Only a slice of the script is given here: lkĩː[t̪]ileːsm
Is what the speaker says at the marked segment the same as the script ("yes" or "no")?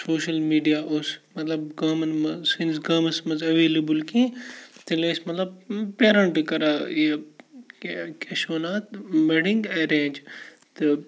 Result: yes